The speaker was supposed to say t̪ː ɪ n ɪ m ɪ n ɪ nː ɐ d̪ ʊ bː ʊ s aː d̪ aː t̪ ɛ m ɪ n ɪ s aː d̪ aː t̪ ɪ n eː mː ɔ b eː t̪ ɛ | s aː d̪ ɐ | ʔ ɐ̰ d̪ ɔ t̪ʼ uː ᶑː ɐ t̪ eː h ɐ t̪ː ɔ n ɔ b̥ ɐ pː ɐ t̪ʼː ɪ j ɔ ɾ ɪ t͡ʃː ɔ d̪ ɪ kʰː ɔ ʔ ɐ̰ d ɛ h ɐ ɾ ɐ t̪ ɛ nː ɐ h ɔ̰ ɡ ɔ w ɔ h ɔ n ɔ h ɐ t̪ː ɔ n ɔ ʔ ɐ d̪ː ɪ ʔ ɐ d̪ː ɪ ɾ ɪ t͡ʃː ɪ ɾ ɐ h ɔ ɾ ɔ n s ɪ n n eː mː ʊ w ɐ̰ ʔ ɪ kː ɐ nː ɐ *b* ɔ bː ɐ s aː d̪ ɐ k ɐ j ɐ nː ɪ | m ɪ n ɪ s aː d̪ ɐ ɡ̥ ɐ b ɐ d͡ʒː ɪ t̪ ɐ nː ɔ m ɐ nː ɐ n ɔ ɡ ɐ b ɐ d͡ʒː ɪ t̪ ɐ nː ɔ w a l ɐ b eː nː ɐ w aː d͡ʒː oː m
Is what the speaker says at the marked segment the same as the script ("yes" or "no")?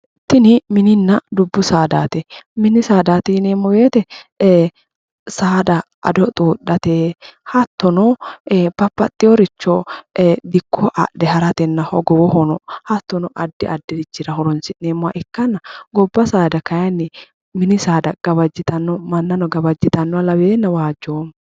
no